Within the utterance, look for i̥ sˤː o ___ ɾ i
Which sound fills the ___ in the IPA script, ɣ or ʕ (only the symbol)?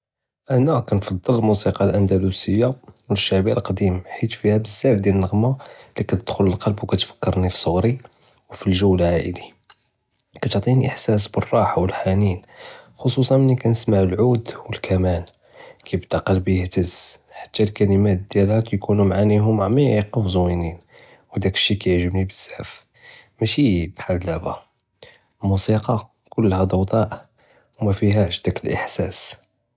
ɣ